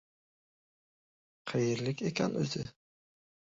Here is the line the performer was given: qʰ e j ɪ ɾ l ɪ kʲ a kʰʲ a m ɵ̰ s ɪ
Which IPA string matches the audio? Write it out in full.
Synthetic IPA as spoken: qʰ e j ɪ ɾ l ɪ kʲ e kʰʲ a n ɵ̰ z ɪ